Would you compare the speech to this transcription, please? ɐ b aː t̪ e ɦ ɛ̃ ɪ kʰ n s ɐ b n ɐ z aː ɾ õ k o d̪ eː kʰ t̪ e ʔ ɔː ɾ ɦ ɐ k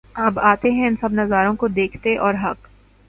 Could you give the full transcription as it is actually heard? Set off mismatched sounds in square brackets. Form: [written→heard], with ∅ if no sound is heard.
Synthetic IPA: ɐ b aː t̪ e ɦ ɛ̃ ɪ [kʰ→∅] n s ɐ b n ɐ z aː ɾ õ k o d̪ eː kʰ t̪ e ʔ ɔː ɾ ɦ ɐ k